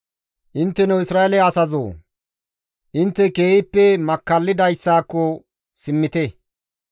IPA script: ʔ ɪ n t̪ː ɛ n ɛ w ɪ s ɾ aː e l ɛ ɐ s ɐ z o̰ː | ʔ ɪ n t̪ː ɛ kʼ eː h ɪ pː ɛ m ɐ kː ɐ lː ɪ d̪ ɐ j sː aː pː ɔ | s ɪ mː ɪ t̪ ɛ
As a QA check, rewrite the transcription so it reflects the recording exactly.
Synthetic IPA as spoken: ʔ ɪ n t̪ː ɛ n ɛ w ɪ s ɾ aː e l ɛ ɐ s ɐ z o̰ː | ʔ ɪ n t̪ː ɛ k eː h ɪ pː ɛ m ɐ kː ɐ lː ɪ d̪ ɐ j sː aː kː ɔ | s ɪ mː ɪ t̪ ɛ

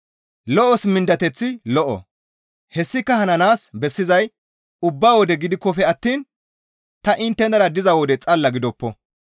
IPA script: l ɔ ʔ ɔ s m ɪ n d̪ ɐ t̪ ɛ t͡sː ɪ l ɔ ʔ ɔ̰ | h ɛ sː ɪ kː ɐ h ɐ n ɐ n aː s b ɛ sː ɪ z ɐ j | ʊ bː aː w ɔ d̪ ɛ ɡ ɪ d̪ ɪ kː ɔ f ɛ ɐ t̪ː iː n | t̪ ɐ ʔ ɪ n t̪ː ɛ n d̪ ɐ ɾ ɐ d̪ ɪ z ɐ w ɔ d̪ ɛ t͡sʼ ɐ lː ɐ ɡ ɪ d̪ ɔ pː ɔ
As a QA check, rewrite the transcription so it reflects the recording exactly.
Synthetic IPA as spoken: l ɔ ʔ ɔ s m ɪ n d̪ ɐ t̪ ɛ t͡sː ɪ l ɔ ʔ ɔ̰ | h ɛ sː ɪ kː ɐ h ɐ n ɐ n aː s b ɛ sː ɪ z ɐ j | ʊ bː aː w ɔ d̪ ɛ ɡ ɪ d̪ ɪ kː ɔ f ɛ ɐ t̪ː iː n | t̪ ɐ ʔ ɪ n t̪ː ɛ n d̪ ɐ ɾ ɐ d̪ ɪ z ɐ w ɔ d̪ ɛ t͡sʼ ɐ lː ɐ ɡ ɪ d̪ ɔ pː ɔ

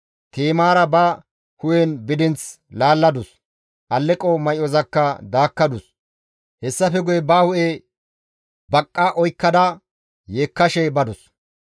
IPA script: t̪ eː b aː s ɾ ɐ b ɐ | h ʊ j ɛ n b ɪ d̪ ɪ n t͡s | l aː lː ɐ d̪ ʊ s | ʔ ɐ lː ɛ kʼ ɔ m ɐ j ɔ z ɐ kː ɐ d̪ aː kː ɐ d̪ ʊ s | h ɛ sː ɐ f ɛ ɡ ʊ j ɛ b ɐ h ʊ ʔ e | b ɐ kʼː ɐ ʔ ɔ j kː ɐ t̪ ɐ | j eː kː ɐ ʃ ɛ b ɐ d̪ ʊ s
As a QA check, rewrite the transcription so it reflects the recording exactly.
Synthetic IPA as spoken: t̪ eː m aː ɾ ɐ b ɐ | h ʊ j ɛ n b ɪ d̪ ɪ n t͡s | l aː lː ɐ d̪ ʊ s | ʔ ɐ lː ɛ kʼ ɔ m ɐ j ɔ z ɐ kː ɐ d̪ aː kː ɐ d̪ ʊ s | h ɛ sː ɐ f ɛ ɡ ʊ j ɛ b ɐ h ʊ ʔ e | b ɐ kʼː ɐ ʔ ɔ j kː ɐ d̪ ɐ | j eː kː ɐ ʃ ɛ b ɐ d̪ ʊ s

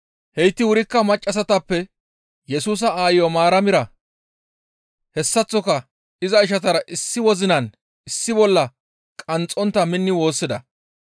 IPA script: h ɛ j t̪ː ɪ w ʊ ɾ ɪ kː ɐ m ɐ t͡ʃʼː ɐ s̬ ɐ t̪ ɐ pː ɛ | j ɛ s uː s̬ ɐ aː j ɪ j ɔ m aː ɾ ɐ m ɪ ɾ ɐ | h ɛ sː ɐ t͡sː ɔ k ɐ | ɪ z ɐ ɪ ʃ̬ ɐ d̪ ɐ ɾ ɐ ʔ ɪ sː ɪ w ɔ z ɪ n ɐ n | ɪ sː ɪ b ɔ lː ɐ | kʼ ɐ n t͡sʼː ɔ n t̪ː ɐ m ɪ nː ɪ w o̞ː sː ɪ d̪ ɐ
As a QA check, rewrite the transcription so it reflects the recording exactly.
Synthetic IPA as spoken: h ɛ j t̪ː ɪ w ʊ ɾ ɪ kː ɐ m ɐ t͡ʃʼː ɐ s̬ ɐ t̪ ɐ pː ɛ | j ɛ s uː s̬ ɐ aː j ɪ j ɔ m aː ɾ ɐ m ɪ ɾ ɐ | h ɛ sː ɐ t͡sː ɔ k ɐ | ɪ z ɐ ɪ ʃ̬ ɐ t̪ ɐ ɾ ɐ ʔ ɪ sː ɪ w ɔ z ɪ n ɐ n | ɪ sː ɪ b ɔ lː ɐ | kʼ ɐ n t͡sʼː ɔ n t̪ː ɐ m ɪ nː ɪ w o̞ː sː ɪ d̪ ɐ

